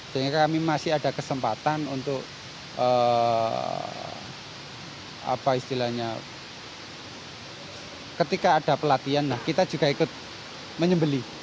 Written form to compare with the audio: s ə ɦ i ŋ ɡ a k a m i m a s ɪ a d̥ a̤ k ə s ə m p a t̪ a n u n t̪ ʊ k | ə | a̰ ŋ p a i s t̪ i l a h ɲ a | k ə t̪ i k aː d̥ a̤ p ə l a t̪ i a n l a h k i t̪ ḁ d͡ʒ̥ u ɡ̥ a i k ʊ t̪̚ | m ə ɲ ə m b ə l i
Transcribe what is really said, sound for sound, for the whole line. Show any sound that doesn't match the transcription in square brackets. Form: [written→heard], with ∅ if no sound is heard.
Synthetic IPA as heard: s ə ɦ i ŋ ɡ a k a m i m a s ɪ a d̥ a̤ k ə s ə m p a t̪ a n u n t̪ ʊ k | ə | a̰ [ŋ→∅] p a i s t̪ i l a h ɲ a | k ə t̪ i k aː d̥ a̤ p ə l a t̪ i a n l a h k i t̪ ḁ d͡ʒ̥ u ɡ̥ a i k ʊ t̪̚ | m ə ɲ ə m b ə l i